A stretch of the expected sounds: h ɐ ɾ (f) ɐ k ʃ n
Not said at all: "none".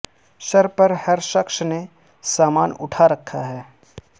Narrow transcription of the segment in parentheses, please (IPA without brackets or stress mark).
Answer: ʃ